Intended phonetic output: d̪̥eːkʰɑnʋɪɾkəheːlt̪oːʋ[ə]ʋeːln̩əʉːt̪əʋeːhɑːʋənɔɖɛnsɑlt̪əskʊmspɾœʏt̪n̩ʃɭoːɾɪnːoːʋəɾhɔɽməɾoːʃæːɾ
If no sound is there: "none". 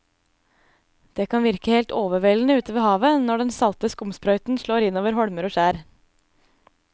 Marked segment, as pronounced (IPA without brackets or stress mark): ə